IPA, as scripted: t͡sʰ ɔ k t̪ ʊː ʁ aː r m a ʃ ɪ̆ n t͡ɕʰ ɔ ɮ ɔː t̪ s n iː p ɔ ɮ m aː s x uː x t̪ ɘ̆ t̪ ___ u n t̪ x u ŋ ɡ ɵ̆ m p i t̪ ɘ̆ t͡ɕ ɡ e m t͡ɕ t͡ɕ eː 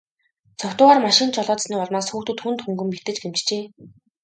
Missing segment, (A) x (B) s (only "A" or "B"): A